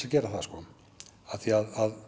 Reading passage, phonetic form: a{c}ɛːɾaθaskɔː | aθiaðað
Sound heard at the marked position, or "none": c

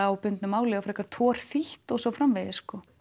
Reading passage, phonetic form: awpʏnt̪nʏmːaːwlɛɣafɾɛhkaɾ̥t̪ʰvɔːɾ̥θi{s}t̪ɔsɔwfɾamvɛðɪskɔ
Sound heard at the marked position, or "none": h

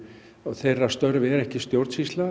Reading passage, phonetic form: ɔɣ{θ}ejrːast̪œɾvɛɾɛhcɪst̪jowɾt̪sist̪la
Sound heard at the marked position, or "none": θ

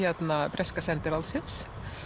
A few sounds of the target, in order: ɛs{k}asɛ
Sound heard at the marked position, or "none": k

